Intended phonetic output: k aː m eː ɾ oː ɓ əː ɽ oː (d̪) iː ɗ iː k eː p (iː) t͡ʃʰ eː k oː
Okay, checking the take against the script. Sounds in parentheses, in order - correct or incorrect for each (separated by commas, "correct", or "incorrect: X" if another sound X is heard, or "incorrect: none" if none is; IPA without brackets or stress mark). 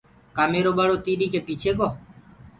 incorrect: t̪, correct